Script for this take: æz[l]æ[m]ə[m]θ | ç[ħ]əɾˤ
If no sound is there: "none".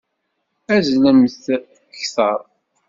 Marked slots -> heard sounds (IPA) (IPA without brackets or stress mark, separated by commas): l, m, none, θ